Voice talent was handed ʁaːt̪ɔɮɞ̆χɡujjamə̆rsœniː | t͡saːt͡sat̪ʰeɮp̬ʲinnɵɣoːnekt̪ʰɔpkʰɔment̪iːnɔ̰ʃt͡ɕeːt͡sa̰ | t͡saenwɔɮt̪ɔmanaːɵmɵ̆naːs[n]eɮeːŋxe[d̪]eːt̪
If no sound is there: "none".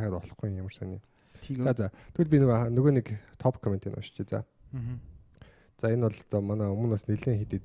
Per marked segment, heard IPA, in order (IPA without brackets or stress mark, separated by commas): n, t̪